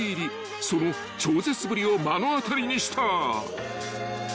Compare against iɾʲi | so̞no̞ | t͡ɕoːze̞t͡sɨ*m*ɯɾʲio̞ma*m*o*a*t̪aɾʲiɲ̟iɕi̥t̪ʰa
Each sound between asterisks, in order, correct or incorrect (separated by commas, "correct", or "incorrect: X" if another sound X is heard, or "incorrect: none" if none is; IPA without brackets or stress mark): incorrect: b, incorrect: n, correct